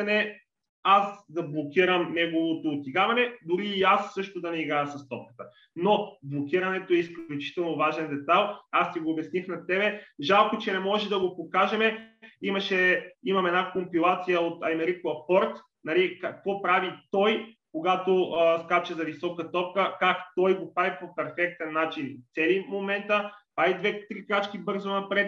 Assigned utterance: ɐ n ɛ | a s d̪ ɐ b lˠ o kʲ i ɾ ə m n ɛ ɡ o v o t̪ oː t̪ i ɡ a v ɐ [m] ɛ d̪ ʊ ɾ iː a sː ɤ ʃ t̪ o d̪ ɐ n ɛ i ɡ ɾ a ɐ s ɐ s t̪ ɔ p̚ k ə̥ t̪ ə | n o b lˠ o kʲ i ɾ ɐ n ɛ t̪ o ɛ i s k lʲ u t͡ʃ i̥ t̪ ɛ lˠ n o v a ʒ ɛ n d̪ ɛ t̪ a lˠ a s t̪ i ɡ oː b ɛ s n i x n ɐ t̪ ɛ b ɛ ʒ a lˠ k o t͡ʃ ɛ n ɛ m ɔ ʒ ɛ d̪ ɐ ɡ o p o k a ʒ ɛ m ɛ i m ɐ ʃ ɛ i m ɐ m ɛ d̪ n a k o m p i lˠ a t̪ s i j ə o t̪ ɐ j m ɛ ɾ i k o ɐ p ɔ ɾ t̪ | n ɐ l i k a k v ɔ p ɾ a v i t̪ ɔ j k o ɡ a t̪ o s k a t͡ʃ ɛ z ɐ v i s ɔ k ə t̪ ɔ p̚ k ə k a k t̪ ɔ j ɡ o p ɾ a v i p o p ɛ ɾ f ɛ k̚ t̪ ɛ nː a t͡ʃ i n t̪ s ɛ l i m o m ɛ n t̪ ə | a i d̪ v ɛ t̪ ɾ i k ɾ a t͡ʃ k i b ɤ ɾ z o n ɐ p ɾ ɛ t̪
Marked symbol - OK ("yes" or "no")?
no